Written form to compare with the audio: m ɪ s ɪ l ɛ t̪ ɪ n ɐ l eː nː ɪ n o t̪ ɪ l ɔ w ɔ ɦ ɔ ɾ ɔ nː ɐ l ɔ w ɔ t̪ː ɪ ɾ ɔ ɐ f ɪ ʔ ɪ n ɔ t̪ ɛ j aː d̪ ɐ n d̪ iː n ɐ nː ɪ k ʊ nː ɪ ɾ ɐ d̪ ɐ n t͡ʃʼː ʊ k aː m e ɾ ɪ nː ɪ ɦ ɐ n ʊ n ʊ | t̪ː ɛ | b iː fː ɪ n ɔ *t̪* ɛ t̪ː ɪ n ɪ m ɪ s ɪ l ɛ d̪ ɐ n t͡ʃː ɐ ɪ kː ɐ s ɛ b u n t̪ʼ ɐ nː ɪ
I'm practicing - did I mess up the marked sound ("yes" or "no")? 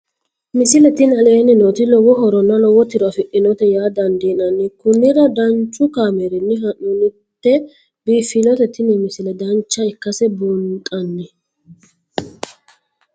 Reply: no